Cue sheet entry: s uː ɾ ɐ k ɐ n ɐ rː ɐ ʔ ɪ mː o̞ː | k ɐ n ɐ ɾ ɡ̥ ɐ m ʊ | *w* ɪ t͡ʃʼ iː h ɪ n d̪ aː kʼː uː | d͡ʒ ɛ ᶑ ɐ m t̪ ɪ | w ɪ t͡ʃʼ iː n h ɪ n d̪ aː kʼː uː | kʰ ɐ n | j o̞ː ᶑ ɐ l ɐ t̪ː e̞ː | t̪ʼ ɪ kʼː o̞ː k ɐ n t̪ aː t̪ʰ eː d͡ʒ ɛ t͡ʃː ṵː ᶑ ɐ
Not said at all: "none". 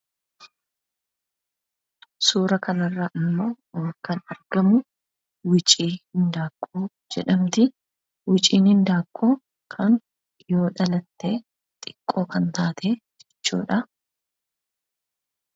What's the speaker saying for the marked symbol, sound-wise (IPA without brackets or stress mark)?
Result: w